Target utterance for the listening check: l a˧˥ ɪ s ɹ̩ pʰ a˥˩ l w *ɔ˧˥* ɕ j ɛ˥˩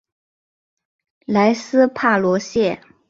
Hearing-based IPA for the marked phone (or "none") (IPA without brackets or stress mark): ɔ˧˥